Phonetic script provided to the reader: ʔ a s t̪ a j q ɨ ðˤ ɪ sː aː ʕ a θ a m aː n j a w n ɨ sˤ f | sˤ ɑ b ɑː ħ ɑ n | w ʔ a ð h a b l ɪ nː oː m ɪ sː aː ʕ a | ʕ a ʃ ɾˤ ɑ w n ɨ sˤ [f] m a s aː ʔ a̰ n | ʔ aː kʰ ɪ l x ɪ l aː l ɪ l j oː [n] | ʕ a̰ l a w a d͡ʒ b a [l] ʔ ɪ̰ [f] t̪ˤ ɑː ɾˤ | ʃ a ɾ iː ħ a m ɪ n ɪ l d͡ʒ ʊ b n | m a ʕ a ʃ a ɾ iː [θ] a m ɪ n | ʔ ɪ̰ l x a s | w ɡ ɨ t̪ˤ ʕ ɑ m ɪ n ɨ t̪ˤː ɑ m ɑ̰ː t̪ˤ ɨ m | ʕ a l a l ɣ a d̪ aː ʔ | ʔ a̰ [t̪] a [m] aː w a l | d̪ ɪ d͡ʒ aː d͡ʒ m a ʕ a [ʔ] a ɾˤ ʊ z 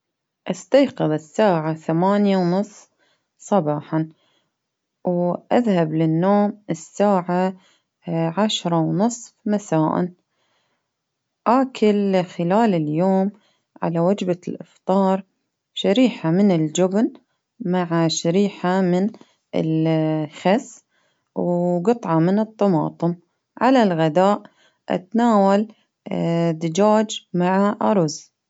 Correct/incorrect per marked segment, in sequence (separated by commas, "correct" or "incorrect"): correct, incorrect, correct, correct, incorrect, correct, incorrect, correct